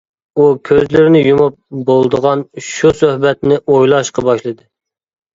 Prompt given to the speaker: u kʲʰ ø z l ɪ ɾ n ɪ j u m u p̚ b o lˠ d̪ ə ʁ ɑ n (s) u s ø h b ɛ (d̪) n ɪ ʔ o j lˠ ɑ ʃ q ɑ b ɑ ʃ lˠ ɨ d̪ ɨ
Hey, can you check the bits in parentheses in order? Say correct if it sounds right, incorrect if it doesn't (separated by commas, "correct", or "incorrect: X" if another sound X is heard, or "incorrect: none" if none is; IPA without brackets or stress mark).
incorrect: ʃ, incorrect: t̪